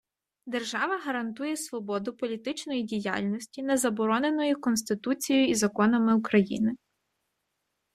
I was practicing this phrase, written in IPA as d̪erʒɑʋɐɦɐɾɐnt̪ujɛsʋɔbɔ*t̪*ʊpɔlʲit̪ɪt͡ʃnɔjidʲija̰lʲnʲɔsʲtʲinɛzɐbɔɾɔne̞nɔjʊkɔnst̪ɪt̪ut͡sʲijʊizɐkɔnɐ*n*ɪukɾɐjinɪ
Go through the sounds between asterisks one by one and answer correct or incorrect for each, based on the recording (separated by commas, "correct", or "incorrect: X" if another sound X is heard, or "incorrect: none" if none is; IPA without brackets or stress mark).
incorrect: d̪, incorrect: m